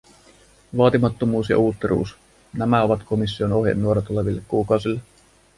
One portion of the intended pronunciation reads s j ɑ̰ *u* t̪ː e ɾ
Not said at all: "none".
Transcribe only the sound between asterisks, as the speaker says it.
uː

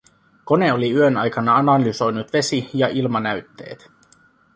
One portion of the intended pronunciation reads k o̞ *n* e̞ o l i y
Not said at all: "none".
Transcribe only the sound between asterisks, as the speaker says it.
n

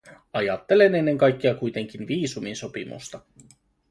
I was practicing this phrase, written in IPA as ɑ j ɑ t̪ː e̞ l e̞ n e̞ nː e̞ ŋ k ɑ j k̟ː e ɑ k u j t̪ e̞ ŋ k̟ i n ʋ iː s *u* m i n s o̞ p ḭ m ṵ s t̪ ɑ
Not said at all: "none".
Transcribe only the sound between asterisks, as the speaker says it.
u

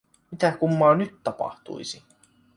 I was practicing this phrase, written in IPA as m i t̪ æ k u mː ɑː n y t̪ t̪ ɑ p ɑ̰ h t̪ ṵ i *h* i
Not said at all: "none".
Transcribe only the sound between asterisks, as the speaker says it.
s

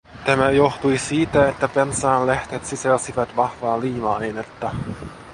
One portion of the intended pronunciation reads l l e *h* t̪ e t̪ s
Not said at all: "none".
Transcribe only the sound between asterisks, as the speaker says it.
h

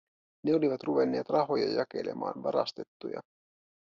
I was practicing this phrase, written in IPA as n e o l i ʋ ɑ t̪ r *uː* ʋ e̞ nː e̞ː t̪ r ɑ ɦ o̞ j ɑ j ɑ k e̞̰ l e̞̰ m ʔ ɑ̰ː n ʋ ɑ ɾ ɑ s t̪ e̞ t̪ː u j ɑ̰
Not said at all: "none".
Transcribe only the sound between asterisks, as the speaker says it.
u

